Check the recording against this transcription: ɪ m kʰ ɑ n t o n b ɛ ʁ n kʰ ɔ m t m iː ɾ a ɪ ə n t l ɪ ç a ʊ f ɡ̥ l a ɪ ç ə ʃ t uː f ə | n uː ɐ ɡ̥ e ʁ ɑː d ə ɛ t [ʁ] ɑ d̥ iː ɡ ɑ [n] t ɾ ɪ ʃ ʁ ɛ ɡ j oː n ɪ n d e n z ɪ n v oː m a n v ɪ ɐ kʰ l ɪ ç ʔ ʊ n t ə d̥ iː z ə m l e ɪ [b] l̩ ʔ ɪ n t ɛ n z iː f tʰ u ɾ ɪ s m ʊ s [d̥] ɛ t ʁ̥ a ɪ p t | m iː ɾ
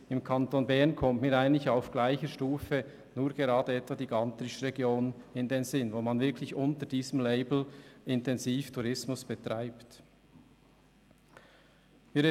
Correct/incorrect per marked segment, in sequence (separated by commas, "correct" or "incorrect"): incorrect, correct, correct, incorrect